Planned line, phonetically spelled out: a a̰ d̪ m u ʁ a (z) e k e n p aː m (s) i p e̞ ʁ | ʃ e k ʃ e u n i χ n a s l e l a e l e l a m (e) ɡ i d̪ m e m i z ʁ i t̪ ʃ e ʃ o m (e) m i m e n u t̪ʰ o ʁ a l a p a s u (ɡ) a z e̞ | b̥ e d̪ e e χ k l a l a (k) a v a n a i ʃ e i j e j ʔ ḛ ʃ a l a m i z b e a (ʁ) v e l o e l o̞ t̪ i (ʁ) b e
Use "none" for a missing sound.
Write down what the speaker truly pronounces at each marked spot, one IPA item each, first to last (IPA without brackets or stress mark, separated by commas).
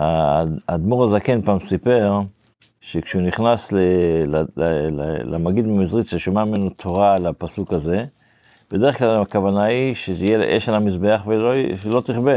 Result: z, s, a, a, k, k, χ, χ